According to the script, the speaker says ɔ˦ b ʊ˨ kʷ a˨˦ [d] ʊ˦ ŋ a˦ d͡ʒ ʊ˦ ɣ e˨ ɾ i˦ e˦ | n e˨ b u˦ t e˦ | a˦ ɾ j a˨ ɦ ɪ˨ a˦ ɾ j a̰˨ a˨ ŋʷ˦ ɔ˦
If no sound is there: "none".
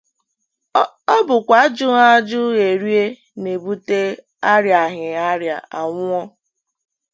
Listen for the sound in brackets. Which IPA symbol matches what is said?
d͡ʒ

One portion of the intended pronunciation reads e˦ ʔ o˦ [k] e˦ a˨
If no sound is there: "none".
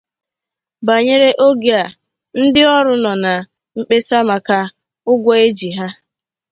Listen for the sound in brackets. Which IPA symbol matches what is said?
ɡ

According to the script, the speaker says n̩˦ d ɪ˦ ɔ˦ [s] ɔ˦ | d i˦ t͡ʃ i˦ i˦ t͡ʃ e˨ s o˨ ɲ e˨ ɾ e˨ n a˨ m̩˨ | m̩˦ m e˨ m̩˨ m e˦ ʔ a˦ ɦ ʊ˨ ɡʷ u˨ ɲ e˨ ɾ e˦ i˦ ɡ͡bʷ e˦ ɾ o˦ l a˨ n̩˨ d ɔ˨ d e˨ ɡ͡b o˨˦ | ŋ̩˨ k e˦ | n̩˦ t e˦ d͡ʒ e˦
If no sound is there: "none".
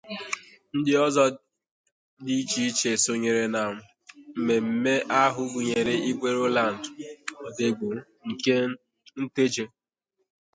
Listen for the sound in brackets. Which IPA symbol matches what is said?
z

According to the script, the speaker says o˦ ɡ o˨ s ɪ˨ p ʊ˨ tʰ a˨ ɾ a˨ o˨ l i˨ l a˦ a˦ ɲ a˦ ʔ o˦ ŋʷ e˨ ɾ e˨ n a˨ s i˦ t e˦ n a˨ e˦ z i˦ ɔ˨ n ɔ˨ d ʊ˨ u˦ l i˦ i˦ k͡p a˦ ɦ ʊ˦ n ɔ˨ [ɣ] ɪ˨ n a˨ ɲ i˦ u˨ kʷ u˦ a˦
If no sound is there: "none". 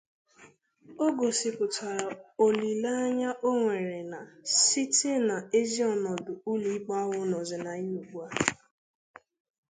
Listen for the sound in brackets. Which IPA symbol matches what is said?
z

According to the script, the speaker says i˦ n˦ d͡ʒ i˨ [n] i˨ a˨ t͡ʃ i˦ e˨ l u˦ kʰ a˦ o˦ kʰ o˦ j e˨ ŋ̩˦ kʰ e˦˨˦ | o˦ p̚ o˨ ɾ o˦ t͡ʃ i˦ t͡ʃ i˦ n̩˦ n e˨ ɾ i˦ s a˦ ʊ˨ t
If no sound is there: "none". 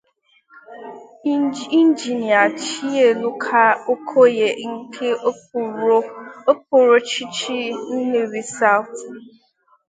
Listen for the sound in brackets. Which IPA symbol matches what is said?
n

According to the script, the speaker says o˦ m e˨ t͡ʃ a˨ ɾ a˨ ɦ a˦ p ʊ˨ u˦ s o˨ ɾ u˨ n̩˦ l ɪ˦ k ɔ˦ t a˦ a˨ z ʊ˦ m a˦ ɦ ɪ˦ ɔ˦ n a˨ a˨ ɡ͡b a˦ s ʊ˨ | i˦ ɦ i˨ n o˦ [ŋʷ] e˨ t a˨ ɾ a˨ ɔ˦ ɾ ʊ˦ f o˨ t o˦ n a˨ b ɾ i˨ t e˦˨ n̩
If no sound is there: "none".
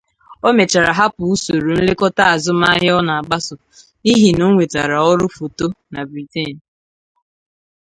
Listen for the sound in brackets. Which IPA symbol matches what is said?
ŋʷ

